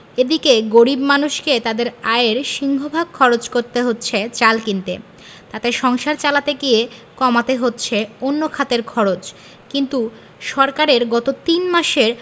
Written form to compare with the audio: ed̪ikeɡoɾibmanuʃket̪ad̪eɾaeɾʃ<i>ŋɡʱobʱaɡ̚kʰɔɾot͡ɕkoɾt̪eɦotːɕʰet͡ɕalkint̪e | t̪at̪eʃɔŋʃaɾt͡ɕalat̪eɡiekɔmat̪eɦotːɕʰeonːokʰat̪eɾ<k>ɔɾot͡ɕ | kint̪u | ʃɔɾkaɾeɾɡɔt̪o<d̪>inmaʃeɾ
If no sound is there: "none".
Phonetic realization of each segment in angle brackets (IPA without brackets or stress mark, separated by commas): i, kʰ, t̪